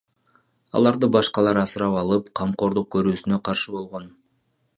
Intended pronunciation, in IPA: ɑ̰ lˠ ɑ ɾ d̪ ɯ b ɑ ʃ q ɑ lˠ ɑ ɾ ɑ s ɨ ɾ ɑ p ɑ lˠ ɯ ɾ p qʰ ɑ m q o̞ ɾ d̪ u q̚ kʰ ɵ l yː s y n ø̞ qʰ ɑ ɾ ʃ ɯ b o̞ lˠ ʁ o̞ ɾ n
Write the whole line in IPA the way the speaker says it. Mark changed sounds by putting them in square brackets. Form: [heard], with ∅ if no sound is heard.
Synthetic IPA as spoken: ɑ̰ lˠ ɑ ɾ d̪ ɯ b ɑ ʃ q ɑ lˠ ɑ ɾ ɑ s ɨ ɾ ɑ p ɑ lˠ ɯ [∅] p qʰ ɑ m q o̞ ɾ d̪ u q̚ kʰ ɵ [ɾ] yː s y n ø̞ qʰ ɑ ɾ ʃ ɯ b o̞ lˠ ʁ o̞ [∅] n